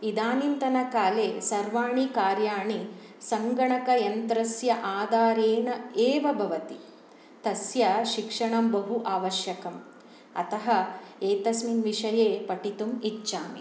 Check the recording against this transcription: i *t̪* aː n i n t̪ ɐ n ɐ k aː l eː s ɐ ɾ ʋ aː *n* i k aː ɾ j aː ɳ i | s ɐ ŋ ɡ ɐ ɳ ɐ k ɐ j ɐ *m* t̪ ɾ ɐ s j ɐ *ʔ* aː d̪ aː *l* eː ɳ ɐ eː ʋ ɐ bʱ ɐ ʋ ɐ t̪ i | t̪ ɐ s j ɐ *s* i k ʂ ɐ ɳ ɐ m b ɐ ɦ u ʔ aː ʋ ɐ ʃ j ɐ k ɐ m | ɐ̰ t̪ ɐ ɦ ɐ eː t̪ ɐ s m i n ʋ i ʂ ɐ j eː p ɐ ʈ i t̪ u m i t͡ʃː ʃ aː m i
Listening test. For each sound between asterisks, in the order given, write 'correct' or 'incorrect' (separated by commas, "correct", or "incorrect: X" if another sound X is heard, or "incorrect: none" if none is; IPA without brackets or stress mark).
incorrect: d̪, incorrect: ɳ, incorrect: n, correct, incorrect: ɾ, incorrect: ʃ